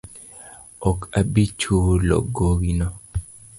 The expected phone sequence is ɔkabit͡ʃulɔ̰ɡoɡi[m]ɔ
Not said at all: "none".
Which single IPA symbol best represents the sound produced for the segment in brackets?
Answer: n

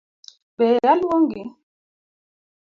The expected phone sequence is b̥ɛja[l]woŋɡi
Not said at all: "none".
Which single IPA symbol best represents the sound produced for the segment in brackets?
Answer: l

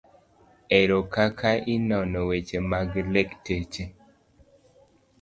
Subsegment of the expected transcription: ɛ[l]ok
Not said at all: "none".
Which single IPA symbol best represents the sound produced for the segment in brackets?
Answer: ɾ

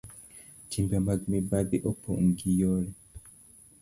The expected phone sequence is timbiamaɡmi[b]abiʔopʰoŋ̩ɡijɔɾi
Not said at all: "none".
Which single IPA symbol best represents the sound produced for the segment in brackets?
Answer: b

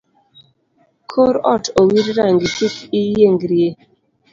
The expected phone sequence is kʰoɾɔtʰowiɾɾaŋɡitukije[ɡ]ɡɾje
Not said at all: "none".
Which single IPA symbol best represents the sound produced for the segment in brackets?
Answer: ŋ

